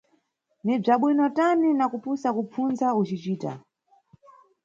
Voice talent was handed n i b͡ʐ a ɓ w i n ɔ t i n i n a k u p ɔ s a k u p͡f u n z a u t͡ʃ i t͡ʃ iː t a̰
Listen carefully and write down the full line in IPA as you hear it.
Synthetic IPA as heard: n i b͡ʐ a ɓ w i n ɔ t a n i n a k u p u s a k u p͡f u n z a u t͡ʃ i t͡ʃ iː t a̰